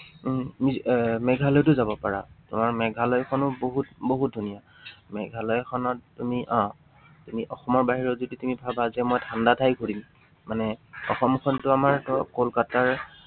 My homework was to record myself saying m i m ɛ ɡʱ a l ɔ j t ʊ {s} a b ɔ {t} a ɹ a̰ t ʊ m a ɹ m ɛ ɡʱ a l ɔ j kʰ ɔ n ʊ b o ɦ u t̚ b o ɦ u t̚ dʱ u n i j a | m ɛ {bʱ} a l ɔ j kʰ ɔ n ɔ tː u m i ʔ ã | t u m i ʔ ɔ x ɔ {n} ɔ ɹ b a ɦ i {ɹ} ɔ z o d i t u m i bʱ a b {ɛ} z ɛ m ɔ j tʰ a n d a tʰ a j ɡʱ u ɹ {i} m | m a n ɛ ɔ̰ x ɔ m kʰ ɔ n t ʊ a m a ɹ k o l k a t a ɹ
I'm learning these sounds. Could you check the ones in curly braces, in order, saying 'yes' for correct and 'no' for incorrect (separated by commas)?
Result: no, no, no, no, yes, no, yes